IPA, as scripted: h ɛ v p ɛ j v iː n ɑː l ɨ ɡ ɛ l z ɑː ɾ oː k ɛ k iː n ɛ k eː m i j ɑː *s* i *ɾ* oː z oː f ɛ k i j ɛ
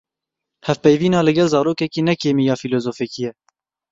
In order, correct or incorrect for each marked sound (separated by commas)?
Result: incorrect, incorrect